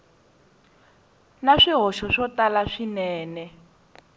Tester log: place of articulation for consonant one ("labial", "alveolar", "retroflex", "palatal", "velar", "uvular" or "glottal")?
alveolar